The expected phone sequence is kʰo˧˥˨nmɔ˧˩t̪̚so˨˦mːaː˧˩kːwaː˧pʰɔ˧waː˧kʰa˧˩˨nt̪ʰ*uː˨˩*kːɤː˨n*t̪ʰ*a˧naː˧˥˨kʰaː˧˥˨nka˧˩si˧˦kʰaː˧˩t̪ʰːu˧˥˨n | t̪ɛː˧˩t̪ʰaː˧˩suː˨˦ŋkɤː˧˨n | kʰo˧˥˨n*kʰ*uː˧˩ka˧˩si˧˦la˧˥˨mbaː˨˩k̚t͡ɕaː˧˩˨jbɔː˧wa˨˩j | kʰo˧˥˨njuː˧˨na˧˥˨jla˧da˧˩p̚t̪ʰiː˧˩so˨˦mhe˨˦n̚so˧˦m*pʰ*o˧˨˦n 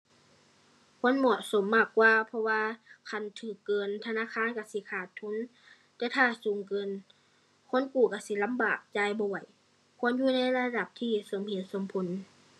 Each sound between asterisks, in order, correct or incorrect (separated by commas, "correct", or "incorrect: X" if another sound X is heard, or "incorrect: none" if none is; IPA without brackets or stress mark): incorrect: ɯː˨˩, correct, incorrect: k, correct